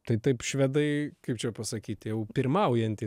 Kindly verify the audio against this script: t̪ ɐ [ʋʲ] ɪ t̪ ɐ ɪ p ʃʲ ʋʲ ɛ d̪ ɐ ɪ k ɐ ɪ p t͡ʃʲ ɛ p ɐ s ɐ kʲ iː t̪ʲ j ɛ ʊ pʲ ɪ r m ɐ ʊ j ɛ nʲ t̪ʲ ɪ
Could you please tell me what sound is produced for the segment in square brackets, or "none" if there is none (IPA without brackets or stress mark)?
none